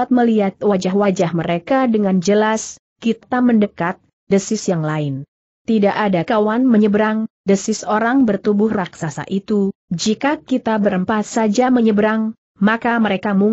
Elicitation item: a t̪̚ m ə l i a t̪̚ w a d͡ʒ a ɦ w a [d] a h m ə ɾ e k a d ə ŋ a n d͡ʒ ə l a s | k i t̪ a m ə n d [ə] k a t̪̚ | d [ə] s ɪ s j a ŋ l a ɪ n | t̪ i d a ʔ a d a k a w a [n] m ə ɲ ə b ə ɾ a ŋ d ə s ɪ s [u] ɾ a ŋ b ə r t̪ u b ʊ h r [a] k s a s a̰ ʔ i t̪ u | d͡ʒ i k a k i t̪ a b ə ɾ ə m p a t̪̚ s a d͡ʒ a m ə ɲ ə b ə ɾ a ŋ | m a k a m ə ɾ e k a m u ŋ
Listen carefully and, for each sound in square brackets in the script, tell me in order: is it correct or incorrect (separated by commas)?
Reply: incorrect, correct, correct, correct, incorrect, correct